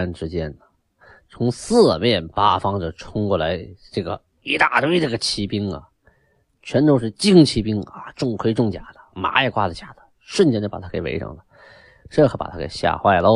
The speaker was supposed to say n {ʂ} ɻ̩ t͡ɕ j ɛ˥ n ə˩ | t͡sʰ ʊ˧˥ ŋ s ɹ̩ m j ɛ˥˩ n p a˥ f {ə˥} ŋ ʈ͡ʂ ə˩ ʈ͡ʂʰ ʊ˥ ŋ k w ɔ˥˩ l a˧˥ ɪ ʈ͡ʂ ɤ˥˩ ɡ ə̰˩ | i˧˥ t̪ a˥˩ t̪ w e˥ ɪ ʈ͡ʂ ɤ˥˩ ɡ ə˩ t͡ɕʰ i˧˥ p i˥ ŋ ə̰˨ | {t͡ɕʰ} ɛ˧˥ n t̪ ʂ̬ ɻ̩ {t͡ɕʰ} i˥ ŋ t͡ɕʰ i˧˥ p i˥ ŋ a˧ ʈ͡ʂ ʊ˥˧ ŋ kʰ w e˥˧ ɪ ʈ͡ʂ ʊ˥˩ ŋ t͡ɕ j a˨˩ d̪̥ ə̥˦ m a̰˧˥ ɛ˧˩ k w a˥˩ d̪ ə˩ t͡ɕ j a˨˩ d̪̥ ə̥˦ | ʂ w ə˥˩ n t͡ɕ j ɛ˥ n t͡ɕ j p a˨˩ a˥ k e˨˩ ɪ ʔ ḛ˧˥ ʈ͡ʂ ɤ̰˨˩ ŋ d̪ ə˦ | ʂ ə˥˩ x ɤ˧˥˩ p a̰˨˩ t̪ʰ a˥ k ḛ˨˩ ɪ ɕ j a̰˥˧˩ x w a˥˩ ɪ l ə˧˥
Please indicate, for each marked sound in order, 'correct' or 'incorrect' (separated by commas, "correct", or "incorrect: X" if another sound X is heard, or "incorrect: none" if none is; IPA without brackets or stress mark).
incorrect: ʈ͡ʂ, incorrect: ɑ˥, correct, incorrect: t͡ɕ